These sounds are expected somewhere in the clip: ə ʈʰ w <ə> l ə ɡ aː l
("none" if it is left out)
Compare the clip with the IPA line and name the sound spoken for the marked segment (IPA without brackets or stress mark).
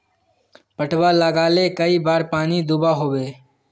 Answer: a